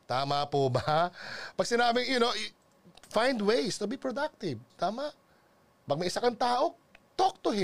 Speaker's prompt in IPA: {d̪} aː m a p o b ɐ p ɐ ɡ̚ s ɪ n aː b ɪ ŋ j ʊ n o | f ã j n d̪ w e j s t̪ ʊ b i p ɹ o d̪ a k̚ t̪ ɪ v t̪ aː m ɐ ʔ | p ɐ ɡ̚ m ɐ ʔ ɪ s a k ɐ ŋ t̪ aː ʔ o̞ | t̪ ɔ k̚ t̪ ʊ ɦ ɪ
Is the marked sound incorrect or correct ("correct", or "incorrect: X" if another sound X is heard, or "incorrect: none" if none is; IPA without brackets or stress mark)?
incorrect: t̪